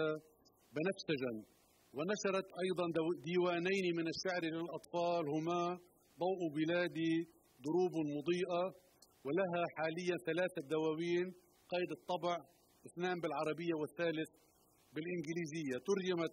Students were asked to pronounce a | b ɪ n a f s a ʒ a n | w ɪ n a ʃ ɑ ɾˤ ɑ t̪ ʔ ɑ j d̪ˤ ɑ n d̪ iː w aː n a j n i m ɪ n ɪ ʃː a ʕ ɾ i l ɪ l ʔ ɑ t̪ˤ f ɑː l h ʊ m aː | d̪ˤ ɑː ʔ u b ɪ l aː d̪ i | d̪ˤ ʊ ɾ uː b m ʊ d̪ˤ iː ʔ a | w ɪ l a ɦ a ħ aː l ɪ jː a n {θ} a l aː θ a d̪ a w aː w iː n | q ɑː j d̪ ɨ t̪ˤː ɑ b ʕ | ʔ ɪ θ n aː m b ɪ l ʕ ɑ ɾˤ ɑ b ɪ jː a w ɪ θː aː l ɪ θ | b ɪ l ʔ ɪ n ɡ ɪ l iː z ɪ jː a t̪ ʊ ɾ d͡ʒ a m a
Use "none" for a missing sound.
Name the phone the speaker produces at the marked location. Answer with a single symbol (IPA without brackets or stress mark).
θ